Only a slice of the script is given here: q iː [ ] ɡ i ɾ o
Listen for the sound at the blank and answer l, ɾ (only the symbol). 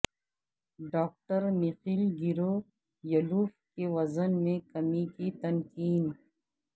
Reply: l